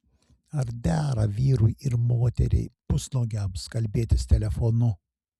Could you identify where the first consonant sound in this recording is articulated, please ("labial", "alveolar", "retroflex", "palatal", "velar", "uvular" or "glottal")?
alveolar